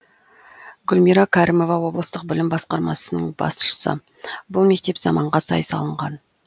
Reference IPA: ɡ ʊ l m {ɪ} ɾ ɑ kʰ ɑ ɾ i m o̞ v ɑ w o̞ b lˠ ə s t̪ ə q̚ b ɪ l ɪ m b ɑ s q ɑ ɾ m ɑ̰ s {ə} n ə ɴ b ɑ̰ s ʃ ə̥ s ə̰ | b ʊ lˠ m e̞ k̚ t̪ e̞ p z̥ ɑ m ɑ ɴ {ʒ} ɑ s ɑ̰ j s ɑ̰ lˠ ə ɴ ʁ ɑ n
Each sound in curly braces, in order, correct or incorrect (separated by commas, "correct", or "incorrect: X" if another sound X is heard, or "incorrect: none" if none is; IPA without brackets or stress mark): incorrect: i, correct, incorrect: ʁ